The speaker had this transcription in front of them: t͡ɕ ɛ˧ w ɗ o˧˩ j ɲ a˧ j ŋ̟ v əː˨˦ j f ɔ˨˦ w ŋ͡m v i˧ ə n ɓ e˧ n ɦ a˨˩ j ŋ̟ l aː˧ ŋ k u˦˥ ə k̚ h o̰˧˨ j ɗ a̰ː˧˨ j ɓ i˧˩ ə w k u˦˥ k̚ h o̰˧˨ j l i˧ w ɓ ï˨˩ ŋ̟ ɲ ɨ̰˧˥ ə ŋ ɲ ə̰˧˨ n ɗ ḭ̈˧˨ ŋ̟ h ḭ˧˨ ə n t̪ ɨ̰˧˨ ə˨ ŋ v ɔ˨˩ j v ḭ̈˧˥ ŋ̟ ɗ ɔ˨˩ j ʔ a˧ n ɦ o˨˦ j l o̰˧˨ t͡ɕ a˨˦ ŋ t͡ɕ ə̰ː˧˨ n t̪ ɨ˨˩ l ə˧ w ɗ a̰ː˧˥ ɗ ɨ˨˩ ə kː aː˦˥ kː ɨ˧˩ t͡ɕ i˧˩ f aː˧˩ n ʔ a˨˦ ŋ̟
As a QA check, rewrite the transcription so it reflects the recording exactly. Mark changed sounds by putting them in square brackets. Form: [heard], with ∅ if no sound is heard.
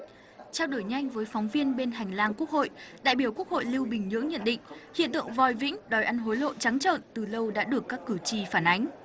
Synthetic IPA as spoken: t͡ɕ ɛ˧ w ɗ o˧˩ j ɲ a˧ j ŋ̟ v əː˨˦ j f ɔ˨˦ w ŋ͡m v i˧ ə n ɓ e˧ n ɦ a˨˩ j ŋ̟ l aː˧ ŋ k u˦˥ ə k̚ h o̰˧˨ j ɗ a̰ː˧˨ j ɓ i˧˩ ə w k u˦˥ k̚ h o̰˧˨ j l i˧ w ɓ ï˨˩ ŋ̟ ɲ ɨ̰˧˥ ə ŋ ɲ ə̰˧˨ n ɗ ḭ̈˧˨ ŋ̟ h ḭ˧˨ ə n t̪ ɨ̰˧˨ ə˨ ŋ v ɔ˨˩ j v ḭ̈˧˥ ŋ̟ ɗ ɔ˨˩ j ʔ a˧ n ɦ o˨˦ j l o̰˧˨ t͡ɕ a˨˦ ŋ t͡ɕ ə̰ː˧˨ n t̪ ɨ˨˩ l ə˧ w ɗ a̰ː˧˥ ɗ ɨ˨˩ ə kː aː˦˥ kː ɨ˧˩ t͡ɕ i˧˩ f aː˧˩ n ʔ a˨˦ ŋ̟

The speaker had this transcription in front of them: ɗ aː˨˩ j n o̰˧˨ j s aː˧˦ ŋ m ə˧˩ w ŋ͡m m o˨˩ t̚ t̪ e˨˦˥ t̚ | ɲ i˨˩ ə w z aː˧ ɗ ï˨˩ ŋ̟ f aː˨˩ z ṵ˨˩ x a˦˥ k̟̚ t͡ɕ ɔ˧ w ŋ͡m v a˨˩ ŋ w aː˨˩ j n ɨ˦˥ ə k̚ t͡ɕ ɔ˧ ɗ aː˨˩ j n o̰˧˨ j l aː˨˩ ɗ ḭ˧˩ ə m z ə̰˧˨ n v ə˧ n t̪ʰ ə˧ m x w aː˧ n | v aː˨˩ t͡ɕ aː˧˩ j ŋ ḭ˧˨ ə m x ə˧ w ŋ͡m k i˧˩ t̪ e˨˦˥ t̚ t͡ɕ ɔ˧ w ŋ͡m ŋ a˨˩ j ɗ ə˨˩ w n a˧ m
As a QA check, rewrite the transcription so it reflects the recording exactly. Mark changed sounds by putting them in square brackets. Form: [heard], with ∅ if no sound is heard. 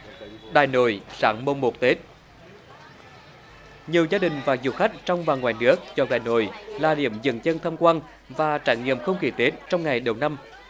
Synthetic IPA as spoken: ɗ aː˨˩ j n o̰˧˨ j s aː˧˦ ŋ m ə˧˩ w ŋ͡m m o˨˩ t̚ t̪ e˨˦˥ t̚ | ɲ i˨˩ ə w z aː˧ ɗ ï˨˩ ŋ̟ [v] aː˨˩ z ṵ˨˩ x a˦˥ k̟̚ t͡ɕ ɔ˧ w ŋ͡m v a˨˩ ŋ w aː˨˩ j n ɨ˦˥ ə k̚ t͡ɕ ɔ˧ ɗ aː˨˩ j n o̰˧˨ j l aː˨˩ ɗ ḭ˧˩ ə m z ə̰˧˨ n [z] ə˧ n t̪ʰ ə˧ m [k] w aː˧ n | v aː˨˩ t͡ɕ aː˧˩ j ŋ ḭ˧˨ ə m x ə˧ w ŋ͡m k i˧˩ t̪ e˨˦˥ t̚ t͡ɕ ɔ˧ w ŋ͡m ŋ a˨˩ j ɗ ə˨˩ w n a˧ m

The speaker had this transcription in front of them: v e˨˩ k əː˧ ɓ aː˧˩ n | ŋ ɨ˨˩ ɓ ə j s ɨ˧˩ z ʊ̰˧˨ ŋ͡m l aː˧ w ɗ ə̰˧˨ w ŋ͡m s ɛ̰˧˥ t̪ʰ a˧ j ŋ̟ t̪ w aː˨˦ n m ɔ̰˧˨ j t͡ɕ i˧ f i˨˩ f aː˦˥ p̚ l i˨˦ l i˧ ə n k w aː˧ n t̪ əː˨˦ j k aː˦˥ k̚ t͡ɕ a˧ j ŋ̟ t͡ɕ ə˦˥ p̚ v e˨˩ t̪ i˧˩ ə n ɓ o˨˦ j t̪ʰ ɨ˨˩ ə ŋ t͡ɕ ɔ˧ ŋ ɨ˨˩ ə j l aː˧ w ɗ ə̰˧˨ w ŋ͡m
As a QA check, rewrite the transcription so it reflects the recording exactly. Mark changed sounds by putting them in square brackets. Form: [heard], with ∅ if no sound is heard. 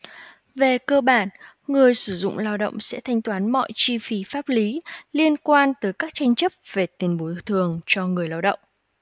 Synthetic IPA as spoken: v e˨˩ k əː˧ ɓ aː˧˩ n | ŋ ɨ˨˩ [∅] ə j s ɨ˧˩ z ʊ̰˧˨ ŋ͡m l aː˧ w ɗ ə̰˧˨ w ŋ͡m s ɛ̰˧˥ t̪ʰ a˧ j ŋ̟ t̪ w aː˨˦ n m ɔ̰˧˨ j t͡ɕ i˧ f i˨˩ f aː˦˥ p̚ l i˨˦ l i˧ ə n k w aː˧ n t̪ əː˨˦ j k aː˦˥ k̚ t͡ɕ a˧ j ŋ̟ t͡ɕ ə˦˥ p̚ v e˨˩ t̪ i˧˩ ə n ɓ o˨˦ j t̪ʰ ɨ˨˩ ə ŋ t͡ɕ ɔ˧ ŋ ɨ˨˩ ə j l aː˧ w ɗ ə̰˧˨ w ŋ͡m

